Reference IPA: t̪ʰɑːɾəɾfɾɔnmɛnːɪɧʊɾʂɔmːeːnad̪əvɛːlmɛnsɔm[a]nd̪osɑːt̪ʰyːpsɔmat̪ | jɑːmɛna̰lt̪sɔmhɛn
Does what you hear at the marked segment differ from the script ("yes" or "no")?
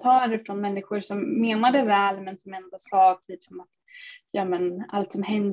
yes